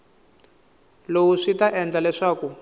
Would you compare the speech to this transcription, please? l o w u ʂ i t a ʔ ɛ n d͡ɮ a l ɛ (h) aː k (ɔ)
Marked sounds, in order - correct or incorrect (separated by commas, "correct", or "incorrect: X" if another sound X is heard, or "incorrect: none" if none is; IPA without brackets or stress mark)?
incorrect: ʂ, incorrect: u